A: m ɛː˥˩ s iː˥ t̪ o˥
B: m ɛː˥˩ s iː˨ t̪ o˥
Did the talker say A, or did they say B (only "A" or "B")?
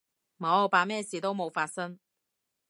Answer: B